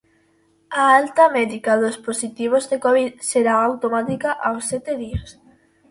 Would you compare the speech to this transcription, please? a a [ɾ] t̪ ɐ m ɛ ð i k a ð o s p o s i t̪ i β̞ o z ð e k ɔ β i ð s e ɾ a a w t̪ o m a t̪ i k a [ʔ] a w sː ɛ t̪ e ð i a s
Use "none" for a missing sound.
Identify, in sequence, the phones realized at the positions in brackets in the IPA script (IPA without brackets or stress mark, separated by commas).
l, ʔ